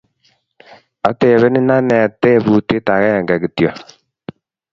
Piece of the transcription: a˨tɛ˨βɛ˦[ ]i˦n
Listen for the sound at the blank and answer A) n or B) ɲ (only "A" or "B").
A